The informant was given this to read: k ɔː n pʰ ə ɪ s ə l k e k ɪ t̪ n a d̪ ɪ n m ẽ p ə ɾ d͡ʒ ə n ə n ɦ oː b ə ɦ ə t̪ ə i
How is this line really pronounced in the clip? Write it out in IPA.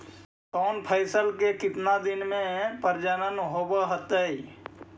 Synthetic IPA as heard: k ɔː n pʰ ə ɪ s ə l k e k ɪ t̪ n a d̪ ɪ n m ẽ p ə ɾ d͡ʒ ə n ə n ɦ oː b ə ɦ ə t̪ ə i